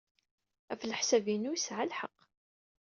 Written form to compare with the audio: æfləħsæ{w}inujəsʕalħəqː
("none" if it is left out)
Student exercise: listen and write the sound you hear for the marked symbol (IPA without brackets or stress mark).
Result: v